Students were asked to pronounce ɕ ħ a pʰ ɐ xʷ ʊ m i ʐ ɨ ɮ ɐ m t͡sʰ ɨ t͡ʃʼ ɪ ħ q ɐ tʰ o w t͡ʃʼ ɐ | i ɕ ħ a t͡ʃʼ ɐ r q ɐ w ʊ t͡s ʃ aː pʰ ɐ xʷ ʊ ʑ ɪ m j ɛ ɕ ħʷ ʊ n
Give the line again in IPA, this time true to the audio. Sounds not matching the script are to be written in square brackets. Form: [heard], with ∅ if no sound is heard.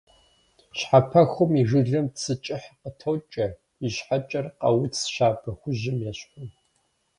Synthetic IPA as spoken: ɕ ħ a pʰ ɐ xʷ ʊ m i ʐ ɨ ɮ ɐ m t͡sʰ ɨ t͡ʃʼ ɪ ħ q [ə] tʰ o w t͡ʃʼ ɐ | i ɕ ħ a t͡ʃʼ ɐ r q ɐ w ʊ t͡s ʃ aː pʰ ɐ xʷ ʊ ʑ ɪ m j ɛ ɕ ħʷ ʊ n